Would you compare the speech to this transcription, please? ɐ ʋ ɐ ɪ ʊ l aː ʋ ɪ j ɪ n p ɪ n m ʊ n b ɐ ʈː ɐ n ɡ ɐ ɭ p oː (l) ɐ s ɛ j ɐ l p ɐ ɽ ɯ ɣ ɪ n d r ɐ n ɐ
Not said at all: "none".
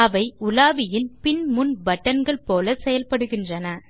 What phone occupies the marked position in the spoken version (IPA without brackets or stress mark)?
l